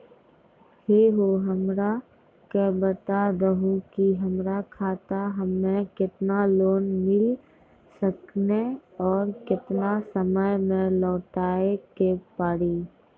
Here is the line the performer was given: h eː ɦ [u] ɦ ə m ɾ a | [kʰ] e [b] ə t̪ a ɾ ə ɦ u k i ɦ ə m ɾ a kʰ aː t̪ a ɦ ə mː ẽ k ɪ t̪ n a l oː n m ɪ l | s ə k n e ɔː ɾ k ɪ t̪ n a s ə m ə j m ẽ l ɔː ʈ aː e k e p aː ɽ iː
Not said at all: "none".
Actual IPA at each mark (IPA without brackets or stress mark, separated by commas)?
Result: o, k, b